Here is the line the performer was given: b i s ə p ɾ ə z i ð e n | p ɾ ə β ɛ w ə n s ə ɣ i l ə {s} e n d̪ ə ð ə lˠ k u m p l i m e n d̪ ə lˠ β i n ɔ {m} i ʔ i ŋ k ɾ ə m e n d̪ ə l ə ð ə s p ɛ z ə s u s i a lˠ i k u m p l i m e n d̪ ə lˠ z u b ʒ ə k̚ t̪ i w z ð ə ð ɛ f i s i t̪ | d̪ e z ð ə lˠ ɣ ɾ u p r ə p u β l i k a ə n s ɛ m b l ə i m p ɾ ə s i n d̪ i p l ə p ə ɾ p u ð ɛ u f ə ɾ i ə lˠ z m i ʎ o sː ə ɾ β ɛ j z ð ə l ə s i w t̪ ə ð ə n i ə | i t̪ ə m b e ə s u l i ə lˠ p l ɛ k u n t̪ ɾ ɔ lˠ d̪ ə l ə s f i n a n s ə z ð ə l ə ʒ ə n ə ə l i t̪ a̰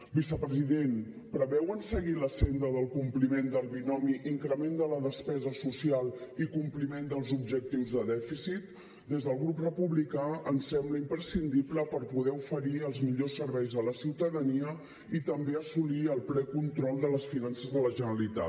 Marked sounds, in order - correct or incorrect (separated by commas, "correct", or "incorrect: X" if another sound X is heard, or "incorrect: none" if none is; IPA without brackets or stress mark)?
correct, correct